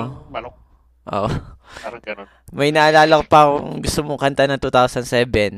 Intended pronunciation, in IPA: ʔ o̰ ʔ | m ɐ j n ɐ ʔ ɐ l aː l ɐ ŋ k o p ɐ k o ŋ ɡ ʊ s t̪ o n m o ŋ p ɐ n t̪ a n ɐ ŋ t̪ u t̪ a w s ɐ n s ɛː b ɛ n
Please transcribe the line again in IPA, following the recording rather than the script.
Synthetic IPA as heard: ʔ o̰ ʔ | m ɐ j n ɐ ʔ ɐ l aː l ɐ k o p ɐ k o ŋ ɡ ʊ s t̪ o m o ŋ k ɐ n t̪ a n ɐ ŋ t̪ u t̪ a w s ɐ n s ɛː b ɛ n